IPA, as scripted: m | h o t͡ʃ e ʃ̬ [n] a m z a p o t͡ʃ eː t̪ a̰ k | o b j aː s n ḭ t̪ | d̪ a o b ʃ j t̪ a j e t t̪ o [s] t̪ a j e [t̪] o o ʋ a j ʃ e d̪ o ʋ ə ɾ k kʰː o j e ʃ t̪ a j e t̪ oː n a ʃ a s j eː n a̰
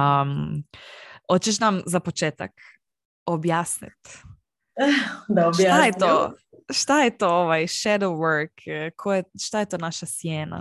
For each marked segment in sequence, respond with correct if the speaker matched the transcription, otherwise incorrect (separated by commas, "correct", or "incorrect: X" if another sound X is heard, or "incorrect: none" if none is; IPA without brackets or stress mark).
correct, incorrect: ʃ, correct